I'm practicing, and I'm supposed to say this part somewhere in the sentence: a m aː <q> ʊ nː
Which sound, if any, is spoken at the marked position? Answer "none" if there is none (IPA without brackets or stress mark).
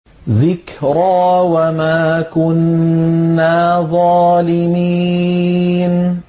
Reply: k